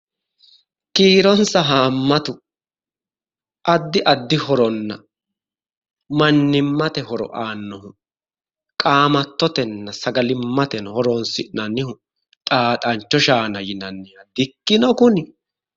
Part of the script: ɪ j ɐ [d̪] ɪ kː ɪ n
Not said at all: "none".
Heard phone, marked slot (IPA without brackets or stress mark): d̪